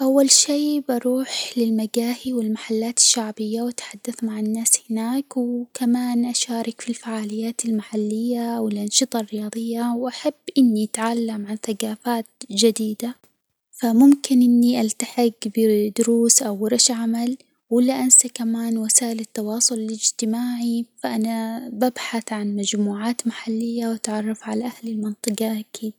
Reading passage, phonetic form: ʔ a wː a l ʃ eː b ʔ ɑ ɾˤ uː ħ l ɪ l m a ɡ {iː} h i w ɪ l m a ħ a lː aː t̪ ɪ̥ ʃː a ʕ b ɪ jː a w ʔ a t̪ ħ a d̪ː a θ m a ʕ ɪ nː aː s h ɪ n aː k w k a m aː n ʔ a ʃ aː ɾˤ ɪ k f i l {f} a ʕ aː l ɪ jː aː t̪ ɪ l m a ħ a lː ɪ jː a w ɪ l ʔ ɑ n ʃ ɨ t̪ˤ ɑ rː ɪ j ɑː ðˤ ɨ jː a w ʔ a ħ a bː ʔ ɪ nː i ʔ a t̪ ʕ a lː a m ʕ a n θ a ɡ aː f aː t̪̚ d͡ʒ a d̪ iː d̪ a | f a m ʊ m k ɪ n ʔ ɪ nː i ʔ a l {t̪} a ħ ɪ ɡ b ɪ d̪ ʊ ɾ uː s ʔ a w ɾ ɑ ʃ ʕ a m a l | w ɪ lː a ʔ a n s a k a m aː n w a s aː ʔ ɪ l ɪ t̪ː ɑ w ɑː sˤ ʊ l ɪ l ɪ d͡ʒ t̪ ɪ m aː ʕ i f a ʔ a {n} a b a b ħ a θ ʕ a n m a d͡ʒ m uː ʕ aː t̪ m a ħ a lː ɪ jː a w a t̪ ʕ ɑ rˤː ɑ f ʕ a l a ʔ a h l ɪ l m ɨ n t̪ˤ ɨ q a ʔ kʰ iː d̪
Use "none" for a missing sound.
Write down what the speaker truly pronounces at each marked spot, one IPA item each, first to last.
aː, f, t̪, n

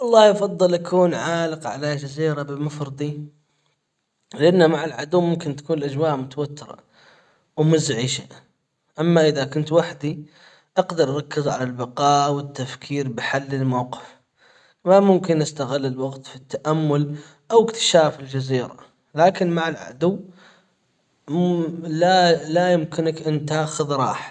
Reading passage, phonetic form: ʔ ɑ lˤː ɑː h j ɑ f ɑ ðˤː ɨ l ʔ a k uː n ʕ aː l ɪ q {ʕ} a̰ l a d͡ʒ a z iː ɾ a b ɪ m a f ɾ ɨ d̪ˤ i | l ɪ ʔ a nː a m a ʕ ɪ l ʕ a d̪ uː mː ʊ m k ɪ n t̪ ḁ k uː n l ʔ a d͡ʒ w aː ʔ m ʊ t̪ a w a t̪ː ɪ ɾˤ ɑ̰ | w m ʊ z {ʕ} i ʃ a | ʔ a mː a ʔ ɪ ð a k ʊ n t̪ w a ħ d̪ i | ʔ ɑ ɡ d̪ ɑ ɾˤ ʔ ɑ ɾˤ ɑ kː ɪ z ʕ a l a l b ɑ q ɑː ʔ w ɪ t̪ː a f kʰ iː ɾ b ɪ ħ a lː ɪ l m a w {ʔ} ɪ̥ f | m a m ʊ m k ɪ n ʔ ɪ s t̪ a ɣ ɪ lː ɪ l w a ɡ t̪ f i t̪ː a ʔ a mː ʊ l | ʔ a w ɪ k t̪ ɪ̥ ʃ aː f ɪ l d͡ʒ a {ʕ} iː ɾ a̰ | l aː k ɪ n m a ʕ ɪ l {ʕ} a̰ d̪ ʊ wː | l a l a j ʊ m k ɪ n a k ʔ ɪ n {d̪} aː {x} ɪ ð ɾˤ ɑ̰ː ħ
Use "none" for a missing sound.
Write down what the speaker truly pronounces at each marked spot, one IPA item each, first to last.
ʕ, ʕ, q, z, ʕ, t̪, x

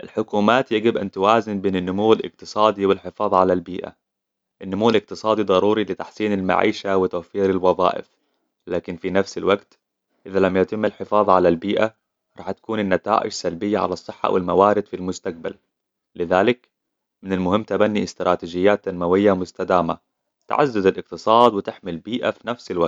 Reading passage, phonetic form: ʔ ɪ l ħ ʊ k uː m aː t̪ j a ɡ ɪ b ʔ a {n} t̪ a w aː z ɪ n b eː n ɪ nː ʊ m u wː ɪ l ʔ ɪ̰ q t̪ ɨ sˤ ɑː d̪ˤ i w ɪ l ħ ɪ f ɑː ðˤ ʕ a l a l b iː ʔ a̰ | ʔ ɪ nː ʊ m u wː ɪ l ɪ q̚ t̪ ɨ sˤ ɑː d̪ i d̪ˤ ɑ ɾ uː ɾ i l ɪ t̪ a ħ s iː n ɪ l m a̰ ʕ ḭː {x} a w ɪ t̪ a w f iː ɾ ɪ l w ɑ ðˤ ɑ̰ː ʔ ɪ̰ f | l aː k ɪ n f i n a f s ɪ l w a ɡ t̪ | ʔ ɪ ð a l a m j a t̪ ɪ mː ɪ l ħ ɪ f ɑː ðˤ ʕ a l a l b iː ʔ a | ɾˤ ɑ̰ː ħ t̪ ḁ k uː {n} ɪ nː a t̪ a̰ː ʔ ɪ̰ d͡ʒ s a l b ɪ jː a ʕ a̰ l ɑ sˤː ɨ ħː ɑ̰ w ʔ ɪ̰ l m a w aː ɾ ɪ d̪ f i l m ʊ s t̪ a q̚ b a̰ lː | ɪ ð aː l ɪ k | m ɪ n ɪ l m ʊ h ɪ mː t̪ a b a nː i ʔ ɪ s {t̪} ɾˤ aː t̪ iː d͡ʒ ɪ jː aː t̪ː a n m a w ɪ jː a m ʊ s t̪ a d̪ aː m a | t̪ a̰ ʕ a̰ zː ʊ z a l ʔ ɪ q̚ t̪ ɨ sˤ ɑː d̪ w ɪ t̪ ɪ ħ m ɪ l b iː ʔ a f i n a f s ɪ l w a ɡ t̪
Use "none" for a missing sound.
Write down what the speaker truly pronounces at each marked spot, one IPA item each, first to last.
n, ʃ, n, t̪

